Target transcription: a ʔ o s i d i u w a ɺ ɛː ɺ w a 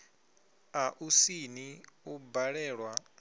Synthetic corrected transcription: a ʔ u s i n i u b a ɺ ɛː ɺ w a